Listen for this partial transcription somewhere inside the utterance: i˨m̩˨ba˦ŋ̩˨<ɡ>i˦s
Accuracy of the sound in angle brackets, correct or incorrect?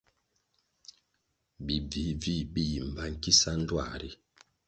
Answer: incorrect: k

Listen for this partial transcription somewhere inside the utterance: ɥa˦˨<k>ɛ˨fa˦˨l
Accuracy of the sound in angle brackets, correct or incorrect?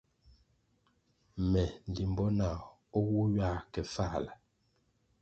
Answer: correct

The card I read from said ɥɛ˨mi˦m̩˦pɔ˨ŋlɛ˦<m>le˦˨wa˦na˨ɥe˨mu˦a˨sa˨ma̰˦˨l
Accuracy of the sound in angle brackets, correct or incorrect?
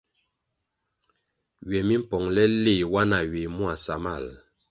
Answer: incorrect: none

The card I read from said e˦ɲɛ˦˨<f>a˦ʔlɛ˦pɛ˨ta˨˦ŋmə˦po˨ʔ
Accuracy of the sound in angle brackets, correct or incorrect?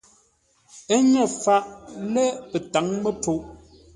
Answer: correct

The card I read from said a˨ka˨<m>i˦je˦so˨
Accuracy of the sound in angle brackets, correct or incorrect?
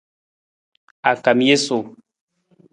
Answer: correct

